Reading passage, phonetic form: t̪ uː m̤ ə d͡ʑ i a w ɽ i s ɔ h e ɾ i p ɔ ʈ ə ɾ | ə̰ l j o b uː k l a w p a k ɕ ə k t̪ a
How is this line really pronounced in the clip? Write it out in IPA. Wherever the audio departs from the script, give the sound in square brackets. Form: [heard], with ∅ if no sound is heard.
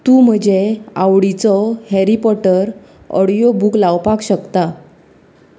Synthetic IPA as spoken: t̪ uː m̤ ə d͡ʑ [e] a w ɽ i [t͡s] ɔ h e ɾ i p ɔ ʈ ə ɾ | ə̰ [ɽ] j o b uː k l a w p a k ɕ ə k t̪ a